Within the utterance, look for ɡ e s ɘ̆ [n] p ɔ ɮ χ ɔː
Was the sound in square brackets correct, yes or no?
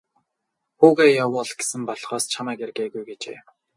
no